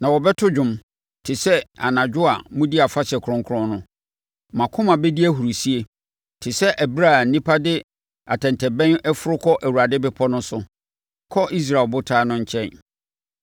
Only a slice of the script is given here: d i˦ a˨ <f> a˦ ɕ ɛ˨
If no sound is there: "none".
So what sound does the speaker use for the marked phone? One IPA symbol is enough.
f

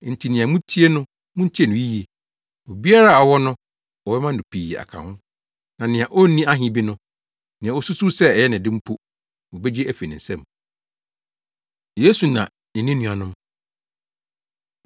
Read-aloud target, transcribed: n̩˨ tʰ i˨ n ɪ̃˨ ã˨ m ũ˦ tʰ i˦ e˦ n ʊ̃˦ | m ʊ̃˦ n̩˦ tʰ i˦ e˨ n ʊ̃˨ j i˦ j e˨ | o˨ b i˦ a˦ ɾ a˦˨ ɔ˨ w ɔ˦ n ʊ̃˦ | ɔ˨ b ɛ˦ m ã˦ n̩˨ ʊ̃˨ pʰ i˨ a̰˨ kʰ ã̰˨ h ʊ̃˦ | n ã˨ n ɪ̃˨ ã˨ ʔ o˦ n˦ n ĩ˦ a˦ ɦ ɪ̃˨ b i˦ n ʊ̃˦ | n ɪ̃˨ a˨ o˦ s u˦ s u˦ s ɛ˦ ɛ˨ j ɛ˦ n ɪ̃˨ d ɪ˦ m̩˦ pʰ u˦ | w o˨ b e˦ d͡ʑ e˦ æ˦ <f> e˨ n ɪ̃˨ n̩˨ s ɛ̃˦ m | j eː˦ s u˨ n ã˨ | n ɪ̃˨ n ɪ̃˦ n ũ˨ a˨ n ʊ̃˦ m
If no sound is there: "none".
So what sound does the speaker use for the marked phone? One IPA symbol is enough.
f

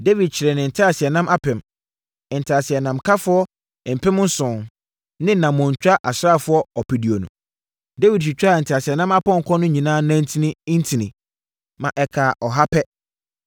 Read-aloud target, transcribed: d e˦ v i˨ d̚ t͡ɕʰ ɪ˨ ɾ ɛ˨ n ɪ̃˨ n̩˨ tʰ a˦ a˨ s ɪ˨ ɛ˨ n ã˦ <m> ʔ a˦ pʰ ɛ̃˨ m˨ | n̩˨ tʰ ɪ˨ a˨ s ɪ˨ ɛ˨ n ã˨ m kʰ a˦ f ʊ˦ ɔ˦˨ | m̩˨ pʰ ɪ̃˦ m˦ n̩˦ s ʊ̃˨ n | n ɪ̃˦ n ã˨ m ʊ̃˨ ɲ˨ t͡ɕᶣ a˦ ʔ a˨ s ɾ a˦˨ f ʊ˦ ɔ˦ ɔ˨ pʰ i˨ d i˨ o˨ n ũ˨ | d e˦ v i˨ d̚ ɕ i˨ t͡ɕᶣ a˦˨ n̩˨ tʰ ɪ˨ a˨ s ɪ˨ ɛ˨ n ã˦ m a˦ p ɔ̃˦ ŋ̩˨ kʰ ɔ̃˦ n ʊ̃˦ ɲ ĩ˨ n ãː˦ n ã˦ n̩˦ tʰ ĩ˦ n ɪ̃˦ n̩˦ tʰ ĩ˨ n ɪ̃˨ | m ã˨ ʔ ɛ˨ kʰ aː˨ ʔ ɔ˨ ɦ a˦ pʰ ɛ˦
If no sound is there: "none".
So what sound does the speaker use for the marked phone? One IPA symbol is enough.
m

